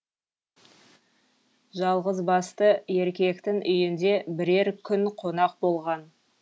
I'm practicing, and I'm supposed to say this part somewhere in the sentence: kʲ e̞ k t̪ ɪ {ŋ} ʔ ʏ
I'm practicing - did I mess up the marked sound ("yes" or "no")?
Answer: no